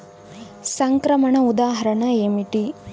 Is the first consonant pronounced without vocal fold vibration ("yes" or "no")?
yes